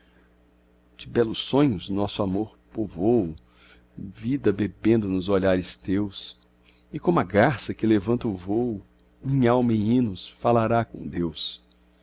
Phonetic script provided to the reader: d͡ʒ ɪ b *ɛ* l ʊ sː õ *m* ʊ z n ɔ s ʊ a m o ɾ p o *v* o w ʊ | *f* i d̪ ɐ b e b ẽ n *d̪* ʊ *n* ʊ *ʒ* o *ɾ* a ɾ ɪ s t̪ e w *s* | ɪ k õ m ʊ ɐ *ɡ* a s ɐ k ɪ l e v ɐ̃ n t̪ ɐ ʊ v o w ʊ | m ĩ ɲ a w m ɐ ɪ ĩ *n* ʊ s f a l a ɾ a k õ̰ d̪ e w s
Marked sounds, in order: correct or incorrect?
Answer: correct, incorrect, correct, incorrect, correct, correct, incorrect, incorrect, correct, correct, correct

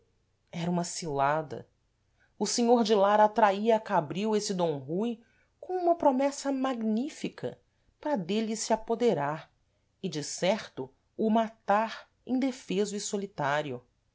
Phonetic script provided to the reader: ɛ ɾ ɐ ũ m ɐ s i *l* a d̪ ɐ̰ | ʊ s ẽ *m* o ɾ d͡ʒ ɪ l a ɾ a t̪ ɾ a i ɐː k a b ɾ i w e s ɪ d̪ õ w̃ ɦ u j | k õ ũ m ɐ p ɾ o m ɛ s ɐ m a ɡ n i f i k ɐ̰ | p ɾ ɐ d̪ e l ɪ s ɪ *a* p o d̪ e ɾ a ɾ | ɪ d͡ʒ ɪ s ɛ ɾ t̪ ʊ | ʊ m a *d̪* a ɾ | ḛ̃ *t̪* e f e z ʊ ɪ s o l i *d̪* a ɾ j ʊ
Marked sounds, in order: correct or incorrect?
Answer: correct, incorrect, correct, incorrect, incorrect, incorrect

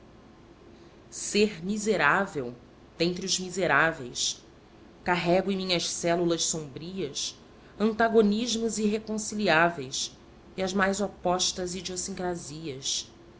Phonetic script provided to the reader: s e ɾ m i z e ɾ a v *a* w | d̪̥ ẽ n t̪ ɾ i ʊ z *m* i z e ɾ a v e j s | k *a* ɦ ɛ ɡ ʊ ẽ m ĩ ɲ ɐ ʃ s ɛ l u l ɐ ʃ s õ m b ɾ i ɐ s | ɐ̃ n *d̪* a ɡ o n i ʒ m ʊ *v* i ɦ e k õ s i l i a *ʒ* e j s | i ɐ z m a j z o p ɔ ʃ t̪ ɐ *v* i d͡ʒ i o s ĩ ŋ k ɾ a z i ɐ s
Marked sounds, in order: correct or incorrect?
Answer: incorrect, correct, correct, incorrect, incorrect, incorrect, incorrect

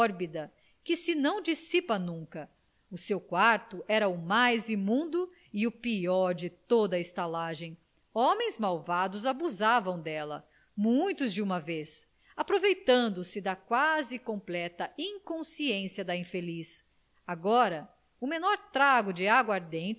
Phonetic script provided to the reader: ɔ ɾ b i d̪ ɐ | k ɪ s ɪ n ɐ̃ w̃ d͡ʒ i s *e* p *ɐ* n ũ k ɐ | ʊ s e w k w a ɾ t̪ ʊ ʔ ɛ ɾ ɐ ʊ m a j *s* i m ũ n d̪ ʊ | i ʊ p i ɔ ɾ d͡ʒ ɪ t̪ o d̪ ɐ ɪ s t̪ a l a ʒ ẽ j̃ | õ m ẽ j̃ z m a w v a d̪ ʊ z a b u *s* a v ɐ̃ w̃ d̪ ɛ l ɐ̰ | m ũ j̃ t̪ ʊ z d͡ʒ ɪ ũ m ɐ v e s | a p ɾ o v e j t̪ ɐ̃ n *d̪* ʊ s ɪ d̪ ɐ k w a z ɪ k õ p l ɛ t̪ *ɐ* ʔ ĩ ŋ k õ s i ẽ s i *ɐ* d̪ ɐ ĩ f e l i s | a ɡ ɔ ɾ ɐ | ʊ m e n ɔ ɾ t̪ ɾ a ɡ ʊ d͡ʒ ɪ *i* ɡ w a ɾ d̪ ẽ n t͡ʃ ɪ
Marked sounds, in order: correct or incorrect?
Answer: incorrect, correct, incorrect, incorrect, correct, correct, correct, incorrect

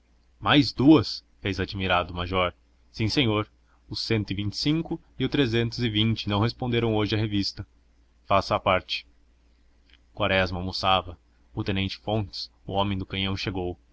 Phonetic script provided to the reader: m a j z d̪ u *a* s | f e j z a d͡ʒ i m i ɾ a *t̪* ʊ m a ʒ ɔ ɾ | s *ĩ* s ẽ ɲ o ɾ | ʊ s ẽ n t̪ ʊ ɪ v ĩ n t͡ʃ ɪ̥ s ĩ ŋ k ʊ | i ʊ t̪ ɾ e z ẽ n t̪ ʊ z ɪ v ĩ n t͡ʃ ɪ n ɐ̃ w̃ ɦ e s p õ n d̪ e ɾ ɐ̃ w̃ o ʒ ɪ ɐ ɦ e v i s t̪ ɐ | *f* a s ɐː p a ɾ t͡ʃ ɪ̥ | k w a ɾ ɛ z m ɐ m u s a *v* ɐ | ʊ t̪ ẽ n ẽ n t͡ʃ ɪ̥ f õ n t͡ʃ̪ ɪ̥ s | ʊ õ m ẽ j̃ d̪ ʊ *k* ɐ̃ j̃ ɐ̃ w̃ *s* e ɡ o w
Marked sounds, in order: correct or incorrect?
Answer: incorrect, incorrect, correct, correct, correct, correct, incorrect

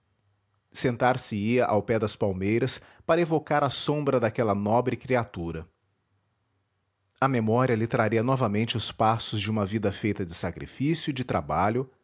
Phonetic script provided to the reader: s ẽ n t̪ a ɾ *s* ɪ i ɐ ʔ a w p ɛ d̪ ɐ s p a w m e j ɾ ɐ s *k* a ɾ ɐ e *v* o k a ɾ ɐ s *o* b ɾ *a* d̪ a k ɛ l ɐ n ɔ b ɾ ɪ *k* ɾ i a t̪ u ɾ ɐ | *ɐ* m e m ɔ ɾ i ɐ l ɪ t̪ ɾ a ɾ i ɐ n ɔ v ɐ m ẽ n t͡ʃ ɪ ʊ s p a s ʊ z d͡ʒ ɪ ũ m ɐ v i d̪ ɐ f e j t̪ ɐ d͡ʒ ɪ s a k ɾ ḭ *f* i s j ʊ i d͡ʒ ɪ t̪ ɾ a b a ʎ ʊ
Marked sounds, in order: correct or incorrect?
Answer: correct, incorrect, correct, incorrect, incorrect, correct, correct, correct

